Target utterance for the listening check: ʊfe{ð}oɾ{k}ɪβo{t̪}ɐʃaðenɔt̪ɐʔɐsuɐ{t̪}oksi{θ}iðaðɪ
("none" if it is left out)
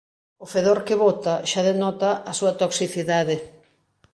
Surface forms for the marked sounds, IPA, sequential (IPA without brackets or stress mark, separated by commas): ð, k, t̪, t̪, θ